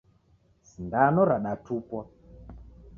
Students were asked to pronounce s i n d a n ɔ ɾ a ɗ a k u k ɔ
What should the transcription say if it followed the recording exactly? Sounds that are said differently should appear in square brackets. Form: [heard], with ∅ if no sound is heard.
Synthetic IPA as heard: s i n d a n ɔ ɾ a ɗ a [t] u [p] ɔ